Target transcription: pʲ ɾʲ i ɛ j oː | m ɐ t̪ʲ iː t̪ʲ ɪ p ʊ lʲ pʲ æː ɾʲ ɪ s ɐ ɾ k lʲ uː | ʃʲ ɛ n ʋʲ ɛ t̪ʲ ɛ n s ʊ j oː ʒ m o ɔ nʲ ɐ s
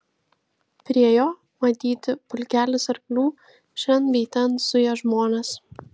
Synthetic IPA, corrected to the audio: pʲ ɾʲ i ɛ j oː | m ɐ t̪ʲ iː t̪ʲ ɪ p ʊ lʲ kʲ æː lʲ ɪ s ɐ ɾ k lʲ uː | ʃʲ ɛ n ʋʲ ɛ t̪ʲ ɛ n s ʊ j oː ʒ m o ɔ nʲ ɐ s